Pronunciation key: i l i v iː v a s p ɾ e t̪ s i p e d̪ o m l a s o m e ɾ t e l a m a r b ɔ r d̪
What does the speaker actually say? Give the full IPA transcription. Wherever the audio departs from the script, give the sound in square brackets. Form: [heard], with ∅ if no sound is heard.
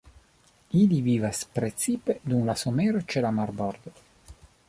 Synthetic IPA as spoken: i l i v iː v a s p ɾ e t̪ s i p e d̪ [u] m l a s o m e ɾ [t͡ʃ] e l a m a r b ɔ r d̪